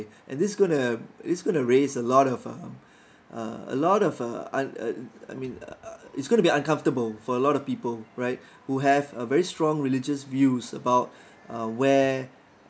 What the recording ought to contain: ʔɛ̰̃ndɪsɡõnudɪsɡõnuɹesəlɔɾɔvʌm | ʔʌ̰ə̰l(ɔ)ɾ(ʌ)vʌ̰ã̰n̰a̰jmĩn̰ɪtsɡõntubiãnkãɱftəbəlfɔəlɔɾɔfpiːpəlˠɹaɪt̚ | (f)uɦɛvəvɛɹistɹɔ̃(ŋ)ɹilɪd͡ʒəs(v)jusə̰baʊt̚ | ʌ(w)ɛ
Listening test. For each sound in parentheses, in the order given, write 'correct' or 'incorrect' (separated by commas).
correct, incorrect, incorrect, correct, correct, correct